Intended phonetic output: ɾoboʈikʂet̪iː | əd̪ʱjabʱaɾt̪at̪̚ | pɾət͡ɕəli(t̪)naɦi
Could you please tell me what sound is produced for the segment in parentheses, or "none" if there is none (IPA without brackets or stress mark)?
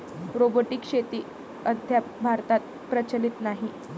t̪